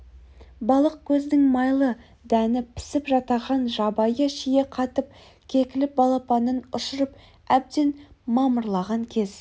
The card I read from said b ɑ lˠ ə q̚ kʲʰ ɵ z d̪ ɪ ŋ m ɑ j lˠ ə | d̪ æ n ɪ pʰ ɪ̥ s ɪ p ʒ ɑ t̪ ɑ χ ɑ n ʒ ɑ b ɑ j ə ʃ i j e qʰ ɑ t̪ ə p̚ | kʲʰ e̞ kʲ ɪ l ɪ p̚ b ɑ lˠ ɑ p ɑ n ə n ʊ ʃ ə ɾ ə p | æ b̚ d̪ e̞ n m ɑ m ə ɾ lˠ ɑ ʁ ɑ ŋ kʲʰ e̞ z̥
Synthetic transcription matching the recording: b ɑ lˠ ə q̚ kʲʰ ɵ z d̪ ɪ ŋ m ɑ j lˠ ə | d̪ æ n ɪ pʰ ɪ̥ s ɪ p ʒ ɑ t̪ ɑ ʁ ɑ n ʒ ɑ b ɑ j ə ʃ i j e qʰ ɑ t̪ ə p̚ | kʲʰ e̞ kʲ ɪ l ɪ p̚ b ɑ lˠ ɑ p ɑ n ə n ʊ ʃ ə ɾ ə p | æ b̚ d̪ e̞ n m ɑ m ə ɾ lˠ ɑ ʁ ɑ ŋ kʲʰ e̞ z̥